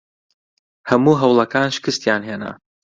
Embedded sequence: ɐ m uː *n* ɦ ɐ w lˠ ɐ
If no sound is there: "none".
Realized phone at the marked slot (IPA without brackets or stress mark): none